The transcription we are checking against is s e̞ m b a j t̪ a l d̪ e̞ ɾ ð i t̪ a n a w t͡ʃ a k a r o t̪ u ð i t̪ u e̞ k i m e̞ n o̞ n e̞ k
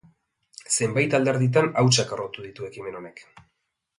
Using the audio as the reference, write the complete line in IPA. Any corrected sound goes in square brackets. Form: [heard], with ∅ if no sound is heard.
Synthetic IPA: s e̞ m b a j t̪ a l d̪ e̞ ɾ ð i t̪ a n a w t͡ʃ a k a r o t̪ u ð i t̪ u e̞ k i m e̞ n o̞ n e̞ k

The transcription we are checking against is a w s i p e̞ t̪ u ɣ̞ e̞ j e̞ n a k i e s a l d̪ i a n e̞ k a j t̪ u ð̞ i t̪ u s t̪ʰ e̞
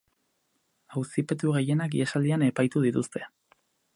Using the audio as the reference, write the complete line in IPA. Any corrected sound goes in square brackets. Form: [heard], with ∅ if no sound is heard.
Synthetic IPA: a w s i p e̞ t̪ u ɣ̞ e̞ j e̞ n a k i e s a l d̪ i a n e̞ [p] a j t̪ u ð̞ i t̪ u s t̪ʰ e̞

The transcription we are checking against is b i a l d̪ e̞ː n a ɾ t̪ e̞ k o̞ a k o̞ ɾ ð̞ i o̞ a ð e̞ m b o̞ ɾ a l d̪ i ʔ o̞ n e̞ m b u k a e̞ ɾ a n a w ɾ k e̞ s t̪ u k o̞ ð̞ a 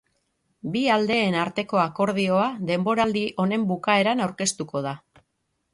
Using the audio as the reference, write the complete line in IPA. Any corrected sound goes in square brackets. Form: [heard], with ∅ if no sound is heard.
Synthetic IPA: b i a l d̪ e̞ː n a ɾ t̪ e̞ k o̞ a k o̞ ɾ ð̞ i o̞ a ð e̞ m b o̞ ɾ a l d̪ i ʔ o̞ n e̞ m b u k a e̞ ɾ a n a w ɾ k e̞ s t̪ u k o̞ ð̞ a

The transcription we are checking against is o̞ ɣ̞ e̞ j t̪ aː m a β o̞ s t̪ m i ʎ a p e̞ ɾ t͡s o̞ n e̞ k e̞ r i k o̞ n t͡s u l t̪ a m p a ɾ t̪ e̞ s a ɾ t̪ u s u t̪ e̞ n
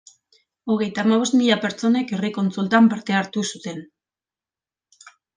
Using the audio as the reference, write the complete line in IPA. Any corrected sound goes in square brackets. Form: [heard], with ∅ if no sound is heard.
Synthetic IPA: o̞ ɣ̞ e̞ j t̪ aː m a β o̞ s t̪ m i ʎ a p e̞ ɾ t͡s o̞ n e̞ k e̞ r i k o̞ n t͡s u l t̪ a m p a ɾ t̪ e̞ [∅] a ɾ t̪ u s u t̪ e̞ n

